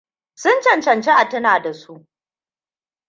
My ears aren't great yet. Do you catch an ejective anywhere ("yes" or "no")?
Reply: no